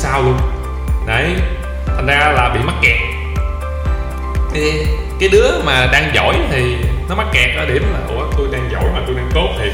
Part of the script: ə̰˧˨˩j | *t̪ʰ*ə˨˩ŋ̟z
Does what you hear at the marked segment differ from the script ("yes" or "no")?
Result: no